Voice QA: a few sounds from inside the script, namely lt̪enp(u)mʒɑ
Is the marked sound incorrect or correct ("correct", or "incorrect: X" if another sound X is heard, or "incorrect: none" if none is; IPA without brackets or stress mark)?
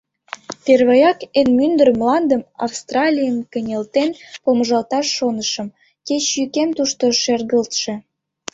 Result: incorrect: o